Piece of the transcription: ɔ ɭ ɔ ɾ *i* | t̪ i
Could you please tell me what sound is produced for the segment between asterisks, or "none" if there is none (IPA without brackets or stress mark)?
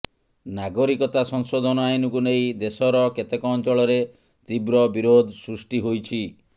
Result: e